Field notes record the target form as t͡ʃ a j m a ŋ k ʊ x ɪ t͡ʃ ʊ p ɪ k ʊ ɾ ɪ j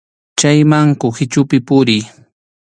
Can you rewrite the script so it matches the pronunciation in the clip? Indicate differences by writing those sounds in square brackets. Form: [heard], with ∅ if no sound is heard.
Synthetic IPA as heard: t͡ʃ a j m a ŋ k ʊ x ɪ t͡ʃ ʊ p ɪ [p] ʊ ɾ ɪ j